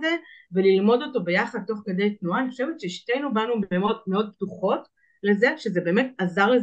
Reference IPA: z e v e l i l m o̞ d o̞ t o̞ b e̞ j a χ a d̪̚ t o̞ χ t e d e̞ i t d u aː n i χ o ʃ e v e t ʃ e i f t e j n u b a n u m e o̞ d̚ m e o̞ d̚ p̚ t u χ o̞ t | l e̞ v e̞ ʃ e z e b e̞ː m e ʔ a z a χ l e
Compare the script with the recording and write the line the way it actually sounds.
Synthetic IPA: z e v e l i l m o̞ d o̞ t o̞ b e̞ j a χ a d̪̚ t o̞ χ k e d e̞ j t n u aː n i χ o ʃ e v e t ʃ e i ʃ t e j n u b a n u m e o̞ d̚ m e o̞ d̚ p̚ t u χ o̞ t | l e̞ z e̞ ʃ e z e b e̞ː m e t a z a ʁ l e